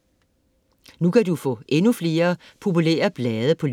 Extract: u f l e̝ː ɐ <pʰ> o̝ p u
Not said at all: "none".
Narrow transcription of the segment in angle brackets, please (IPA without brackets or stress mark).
pʰ